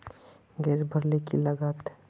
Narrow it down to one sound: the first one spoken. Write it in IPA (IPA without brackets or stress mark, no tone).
ɡ